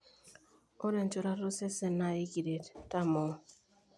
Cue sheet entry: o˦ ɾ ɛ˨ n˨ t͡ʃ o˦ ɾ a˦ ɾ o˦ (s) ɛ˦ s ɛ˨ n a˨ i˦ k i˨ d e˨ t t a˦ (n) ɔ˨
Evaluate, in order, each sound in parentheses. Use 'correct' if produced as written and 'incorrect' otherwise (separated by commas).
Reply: correct, incorrect